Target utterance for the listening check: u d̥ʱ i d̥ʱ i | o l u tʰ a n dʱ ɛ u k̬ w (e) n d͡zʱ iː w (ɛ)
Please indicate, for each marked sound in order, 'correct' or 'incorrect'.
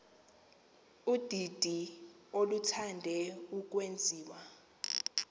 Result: correct, incorrect: a

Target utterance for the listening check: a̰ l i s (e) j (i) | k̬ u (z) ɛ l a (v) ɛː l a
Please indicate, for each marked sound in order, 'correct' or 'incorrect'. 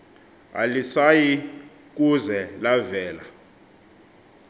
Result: incorrect: a, correct, correct, correct

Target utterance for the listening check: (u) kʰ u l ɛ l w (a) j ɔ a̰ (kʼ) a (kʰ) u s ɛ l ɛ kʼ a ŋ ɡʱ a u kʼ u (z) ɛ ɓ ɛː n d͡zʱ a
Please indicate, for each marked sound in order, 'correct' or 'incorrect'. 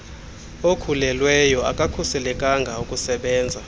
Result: incorrect: o, incorrect: ɛ, correct, correct, incorrect: s

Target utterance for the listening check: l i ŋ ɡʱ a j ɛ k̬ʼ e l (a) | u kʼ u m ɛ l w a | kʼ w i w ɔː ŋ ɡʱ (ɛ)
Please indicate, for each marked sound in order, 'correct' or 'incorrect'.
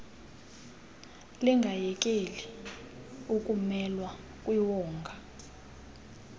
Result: incorrect: i, incorrect: a

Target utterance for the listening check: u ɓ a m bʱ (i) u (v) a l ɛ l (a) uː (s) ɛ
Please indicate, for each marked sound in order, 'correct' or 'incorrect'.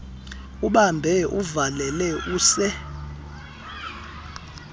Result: incorrect: ɛ, correct, incorrect: ɛ, correct

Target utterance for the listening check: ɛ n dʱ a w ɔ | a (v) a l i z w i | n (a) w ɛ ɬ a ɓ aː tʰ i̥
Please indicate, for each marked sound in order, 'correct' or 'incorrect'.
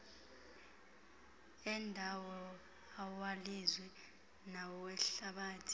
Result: incorrect: w, correct

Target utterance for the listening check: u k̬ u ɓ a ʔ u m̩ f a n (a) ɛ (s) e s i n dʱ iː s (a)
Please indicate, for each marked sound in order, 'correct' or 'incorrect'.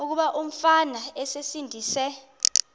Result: correct, correct, incorrect: ɛ

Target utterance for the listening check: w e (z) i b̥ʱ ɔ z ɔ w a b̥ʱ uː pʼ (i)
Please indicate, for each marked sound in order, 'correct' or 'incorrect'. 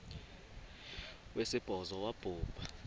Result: incorrect: s, incorrect: a

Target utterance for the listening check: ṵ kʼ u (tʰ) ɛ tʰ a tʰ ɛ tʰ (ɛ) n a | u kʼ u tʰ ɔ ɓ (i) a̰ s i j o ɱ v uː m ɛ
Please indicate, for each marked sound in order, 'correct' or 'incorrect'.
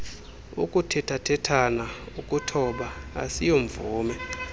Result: correct, incorrect: a, incorrect: a

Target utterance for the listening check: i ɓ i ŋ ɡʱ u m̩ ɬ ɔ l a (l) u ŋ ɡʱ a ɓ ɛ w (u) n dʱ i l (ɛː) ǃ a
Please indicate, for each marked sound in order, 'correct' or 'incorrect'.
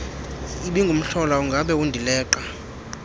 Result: incorrect: none, correct, correct

